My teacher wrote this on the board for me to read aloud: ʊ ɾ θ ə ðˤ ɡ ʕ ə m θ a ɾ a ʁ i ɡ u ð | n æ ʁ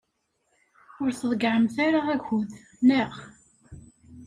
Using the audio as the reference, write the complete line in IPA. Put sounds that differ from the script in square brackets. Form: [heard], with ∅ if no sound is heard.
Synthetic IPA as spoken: ʊ ɾ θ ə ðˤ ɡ ʕ ə m θ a ɾ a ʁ [æ] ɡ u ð | n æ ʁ